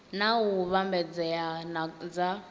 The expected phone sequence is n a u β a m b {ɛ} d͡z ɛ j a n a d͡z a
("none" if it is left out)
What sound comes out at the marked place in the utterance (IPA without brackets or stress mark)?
ɛ